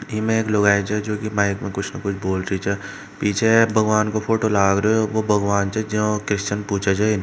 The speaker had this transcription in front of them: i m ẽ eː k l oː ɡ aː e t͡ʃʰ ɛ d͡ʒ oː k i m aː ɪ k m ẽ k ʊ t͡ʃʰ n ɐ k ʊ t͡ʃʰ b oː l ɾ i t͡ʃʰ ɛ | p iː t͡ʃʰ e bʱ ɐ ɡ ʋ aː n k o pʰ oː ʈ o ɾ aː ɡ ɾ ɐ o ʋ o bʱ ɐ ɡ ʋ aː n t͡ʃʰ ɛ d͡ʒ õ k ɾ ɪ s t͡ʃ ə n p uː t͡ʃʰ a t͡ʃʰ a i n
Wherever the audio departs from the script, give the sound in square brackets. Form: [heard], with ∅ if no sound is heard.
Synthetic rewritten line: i m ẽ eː k l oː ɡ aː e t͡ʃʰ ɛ d͡ʒ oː k i m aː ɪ k m ẽ k ʊ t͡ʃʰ n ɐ k ʊ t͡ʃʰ b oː l ɾ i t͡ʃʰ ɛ | p iː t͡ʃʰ e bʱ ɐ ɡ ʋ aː n k o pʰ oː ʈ o [l] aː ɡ ɾ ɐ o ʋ o bʱ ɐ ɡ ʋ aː n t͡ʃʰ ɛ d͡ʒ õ k ɾ ɪ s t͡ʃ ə n p uː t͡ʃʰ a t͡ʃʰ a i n